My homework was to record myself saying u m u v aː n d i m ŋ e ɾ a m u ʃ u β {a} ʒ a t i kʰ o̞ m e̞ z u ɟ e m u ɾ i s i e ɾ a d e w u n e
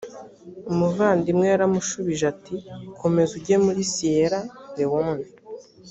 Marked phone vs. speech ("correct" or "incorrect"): incorrect